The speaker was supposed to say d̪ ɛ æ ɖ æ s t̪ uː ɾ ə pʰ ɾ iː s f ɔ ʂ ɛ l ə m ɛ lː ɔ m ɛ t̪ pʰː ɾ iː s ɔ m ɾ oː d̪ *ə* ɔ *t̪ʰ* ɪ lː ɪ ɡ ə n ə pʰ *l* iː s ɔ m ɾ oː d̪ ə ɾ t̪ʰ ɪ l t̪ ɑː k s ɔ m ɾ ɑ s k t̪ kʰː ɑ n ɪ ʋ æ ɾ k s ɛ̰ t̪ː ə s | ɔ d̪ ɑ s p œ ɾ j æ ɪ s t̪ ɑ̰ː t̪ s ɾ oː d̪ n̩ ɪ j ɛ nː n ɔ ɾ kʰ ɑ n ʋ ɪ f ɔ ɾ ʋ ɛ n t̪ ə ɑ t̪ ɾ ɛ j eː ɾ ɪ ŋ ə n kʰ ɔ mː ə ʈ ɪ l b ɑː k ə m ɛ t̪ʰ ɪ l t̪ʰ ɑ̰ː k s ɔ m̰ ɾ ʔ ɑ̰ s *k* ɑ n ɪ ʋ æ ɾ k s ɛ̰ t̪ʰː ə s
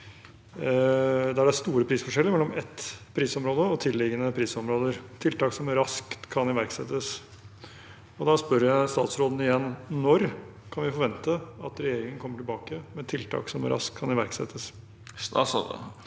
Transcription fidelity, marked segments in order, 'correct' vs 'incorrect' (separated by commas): correct, correct, incorrect, incorrect